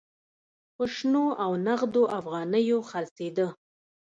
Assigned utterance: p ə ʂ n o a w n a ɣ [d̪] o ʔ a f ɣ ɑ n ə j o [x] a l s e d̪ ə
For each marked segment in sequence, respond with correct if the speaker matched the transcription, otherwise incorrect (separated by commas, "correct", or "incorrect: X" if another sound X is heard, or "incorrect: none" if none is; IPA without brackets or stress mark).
correct, correct